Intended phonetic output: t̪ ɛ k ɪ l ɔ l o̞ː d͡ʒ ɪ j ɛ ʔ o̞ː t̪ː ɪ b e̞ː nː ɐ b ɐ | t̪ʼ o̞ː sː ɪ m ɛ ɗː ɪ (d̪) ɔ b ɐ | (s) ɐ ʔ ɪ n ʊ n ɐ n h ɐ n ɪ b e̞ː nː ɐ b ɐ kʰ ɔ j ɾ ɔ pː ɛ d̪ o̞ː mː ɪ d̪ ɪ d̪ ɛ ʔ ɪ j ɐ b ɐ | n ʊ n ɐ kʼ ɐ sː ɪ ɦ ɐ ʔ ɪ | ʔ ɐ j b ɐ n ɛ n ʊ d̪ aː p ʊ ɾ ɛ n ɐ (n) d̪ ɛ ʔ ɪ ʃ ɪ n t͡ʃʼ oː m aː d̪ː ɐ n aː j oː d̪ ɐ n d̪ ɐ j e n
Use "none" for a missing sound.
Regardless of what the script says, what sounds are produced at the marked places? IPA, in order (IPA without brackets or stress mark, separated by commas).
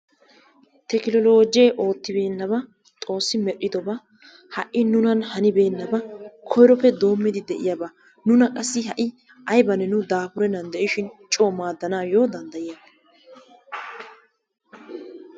d̪, h, n